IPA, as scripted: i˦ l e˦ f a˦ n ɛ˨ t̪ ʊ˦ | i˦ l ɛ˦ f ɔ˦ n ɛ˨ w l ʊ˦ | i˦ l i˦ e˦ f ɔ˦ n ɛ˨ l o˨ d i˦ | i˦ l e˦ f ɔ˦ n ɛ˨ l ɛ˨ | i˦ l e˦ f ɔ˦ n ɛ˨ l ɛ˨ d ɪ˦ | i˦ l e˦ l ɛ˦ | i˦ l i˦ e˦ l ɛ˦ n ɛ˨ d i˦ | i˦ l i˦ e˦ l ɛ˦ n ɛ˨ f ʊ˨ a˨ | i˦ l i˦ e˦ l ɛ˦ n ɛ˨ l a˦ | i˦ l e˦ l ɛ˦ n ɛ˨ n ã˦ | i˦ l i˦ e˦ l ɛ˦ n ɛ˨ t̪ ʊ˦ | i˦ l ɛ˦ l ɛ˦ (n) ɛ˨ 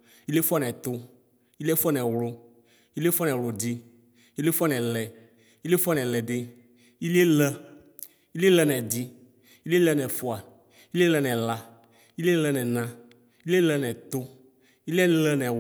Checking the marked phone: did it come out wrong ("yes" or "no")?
no